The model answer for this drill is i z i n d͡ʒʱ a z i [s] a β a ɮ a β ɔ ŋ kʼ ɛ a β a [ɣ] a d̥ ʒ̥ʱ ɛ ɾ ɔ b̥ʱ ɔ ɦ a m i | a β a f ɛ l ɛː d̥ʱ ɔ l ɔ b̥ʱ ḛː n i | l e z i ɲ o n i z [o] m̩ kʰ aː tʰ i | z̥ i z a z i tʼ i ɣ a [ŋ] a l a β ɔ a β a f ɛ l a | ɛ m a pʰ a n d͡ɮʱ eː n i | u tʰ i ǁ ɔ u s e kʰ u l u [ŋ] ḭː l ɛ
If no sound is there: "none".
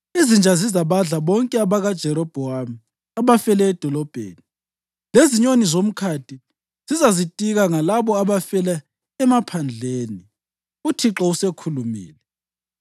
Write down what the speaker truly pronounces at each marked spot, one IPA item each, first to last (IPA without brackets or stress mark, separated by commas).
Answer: z, ɣ, o, ŋ, m